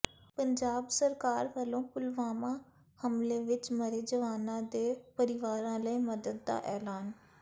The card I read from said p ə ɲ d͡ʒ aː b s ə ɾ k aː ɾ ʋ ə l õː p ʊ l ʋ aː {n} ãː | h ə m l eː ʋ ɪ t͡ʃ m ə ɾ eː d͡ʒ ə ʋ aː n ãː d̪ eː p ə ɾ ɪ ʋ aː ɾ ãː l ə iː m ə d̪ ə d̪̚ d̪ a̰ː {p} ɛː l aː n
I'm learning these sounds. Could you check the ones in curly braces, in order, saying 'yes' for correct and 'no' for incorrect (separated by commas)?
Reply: no, no